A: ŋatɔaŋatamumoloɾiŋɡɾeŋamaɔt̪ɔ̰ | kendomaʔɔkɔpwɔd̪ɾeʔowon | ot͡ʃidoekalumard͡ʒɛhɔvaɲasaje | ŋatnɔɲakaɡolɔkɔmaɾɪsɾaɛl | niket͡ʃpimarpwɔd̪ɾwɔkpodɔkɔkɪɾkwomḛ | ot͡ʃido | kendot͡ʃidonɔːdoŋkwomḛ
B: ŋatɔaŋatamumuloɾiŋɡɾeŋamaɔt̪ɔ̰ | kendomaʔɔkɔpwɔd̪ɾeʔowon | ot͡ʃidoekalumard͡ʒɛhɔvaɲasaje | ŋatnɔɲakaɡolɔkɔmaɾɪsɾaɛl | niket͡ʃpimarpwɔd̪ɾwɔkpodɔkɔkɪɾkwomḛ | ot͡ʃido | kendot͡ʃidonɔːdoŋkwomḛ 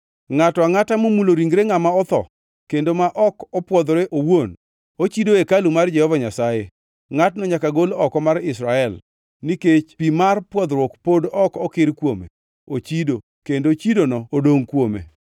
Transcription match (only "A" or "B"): B